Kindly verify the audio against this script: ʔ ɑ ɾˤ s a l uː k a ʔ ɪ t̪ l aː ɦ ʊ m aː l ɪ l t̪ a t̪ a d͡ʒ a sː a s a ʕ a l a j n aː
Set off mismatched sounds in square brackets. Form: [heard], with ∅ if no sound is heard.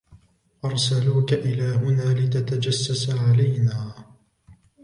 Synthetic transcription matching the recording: ʔ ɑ ɾˤ s a l uː k a ʔ ɪ [∅] l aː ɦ ʊ [n] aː l ɪ [∅] t̪ a t̪ a d͡ʒ a sː a s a ʕ a l a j n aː